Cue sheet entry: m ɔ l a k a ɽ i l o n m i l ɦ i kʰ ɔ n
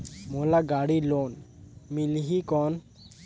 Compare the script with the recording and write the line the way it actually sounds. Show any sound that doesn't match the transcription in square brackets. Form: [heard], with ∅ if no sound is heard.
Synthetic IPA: m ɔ l a [ɡ] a ɽ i l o n m i l ɦ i [k] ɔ n